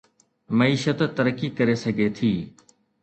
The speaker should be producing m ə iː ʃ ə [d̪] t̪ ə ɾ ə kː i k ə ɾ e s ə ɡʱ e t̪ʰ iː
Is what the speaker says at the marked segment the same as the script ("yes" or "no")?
no